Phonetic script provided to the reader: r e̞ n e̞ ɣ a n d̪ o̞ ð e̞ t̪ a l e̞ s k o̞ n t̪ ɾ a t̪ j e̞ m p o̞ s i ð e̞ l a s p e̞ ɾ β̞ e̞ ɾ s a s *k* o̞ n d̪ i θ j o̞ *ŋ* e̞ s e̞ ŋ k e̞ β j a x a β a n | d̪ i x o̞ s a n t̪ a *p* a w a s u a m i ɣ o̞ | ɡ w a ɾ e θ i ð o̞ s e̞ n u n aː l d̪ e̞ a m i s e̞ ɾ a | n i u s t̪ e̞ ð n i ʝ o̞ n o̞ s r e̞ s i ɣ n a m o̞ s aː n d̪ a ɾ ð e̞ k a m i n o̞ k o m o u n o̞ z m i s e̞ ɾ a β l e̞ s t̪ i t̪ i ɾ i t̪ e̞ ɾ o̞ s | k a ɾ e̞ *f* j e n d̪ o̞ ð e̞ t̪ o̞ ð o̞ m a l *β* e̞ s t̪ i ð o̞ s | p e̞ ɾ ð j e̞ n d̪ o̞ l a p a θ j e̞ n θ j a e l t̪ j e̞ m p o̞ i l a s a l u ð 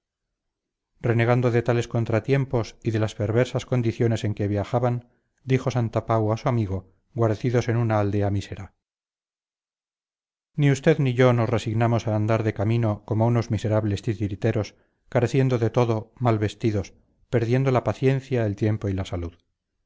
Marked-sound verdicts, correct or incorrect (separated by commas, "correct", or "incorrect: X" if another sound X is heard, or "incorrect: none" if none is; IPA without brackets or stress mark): correct, incorrect: n, correct, incorrect: θ, correct